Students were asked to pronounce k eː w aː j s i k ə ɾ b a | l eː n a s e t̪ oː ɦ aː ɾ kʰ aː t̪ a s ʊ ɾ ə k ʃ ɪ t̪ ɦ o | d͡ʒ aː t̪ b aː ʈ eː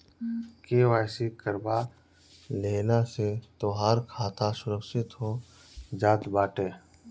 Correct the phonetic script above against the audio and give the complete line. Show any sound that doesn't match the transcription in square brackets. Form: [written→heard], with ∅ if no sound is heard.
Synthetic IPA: k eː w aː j s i k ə ɾ b a | l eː n a s e t̪ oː ɦ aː ɾ kʰ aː t̪ a s ʊ ɾ ə k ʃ ɪ t̪ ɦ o | d͡ʒ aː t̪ b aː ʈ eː